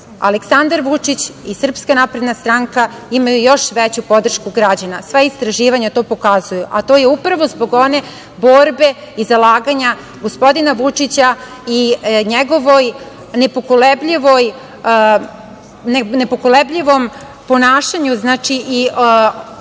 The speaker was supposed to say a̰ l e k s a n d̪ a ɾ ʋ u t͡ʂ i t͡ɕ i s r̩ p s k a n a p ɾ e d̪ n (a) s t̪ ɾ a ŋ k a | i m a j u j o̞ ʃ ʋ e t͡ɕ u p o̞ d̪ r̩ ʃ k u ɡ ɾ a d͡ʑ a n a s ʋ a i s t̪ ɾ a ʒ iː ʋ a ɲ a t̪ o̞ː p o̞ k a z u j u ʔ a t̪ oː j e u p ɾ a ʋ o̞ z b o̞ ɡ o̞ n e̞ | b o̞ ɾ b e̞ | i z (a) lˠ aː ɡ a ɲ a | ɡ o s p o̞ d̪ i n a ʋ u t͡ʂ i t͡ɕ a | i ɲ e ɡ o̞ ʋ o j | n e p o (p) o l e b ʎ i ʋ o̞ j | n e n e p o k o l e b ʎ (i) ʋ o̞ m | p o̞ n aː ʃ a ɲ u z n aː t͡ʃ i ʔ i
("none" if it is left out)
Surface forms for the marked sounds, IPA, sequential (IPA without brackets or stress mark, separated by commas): a, a, k, i